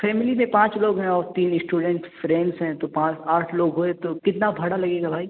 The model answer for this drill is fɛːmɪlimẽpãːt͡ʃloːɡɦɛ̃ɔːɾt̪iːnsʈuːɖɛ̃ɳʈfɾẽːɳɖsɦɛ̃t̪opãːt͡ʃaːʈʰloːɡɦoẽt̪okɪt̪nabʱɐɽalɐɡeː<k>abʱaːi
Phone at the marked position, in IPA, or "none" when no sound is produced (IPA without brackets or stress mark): ɡ